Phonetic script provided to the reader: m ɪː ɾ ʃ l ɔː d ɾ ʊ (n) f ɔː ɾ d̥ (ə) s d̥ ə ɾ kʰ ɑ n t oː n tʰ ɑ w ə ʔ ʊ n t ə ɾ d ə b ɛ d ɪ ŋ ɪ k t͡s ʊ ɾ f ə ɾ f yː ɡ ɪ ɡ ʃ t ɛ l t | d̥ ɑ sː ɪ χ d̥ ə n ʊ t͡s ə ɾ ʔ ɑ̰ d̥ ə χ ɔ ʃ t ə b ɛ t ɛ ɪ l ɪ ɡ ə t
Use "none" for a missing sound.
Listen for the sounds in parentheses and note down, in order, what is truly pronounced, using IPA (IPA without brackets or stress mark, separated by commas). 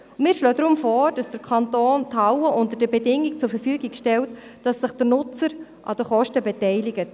m, ɑ